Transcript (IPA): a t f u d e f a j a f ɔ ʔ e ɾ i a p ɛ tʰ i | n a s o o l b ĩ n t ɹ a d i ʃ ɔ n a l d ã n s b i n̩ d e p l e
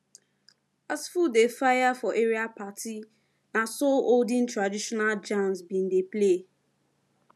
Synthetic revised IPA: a s f u d e f a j a f ɔ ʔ e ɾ i a p a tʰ i | n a s o o l d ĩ n t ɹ a d i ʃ ɔ n a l d͡ʒ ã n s b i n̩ d e p l e

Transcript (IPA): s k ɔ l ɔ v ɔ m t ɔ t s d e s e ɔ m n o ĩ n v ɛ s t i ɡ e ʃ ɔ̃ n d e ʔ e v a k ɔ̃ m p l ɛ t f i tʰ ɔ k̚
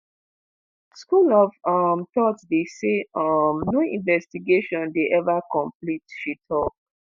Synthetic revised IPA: s k u l ɔ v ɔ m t ɔ t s d e s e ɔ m n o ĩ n v ɛ s t i ɡ e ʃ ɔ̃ n d e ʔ ɛ v a k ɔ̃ m p l i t ʃ i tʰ ɔ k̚

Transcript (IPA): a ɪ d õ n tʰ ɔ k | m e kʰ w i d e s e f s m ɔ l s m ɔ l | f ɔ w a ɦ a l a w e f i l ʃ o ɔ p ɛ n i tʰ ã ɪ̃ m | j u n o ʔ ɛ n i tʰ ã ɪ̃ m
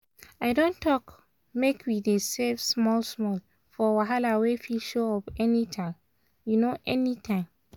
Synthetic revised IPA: a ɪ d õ n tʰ ɔ k | m e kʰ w i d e s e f s m ɔ l s m ɔ l | f ɔ w a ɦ a l a w e f i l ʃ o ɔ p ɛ n i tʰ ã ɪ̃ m | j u n o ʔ ɛ n i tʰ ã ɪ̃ m

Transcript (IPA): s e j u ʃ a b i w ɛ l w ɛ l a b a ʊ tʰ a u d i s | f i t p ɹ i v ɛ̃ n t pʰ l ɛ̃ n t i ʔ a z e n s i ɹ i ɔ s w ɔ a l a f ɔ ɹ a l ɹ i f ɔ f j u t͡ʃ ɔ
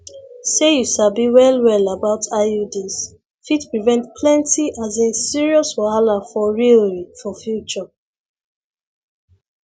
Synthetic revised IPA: s e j u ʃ a b i w ɛ l w ɛ l a b a ʊ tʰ a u d i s | f i t p ɹ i v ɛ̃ n t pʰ l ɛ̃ n t i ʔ a z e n s i ɹ i ɔ s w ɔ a l a f ɔ ɹ i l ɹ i f ɔ f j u t͡ʃ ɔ

